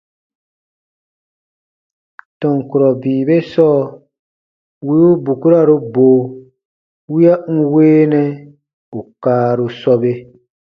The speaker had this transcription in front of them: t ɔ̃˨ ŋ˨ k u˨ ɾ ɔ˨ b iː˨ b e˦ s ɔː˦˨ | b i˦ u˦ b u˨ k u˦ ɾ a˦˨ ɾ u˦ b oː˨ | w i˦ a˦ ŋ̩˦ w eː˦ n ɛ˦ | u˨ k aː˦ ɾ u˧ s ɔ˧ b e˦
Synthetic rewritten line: t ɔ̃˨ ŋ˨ k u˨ ɾ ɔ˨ b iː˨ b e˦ s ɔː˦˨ | w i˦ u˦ b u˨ k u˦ ɾ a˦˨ ɾ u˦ b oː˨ | w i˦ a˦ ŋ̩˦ w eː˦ n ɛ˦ | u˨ k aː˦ ɾ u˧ s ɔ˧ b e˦